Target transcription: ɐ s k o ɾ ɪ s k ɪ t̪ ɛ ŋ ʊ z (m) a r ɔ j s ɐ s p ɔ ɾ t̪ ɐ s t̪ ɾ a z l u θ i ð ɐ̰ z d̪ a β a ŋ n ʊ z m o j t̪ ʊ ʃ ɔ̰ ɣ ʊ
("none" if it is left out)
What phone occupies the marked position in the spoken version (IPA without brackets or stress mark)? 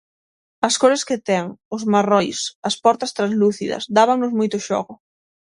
m